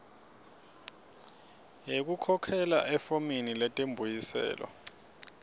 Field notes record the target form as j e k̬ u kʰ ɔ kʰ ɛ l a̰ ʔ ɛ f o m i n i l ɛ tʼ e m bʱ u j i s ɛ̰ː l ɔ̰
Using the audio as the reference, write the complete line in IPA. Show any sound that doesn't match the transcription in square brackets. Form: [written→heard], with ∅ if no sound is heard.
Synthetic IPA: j e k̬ u kʰ ɔ kʰ ɛ l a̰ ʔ ɛ f o m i n i l ɛ tʼ e m bʱ u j i s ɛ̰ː l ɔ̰